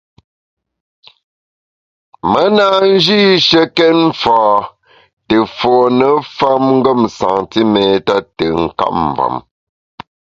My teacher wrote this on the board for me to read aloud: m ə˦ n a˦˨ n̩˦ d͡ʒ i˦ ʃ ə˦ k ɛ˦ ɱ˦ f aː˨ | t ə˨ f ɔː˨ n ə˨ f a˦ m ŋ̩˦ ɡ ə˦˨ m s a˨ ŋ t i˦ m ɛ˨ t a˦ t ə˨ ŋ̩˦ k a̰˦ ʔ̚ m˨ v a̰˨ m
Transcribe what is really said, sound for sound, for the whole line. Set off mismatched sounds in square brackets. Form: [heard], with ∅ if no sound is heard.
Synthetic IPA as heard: m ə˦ n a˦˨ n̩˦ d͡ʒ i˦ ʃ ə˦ k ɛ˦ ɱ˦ f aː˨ | t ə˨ f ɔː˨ n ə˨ f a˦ m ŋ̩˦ ɡ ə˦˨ m s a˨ ŋ t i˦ m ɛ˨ t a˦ t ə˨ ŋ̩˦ k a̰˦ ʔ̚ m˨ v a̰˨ m